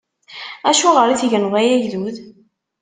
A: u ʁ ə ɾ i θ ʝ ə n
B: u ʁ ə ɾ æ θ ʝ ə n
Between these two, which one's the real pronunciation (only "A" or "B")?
A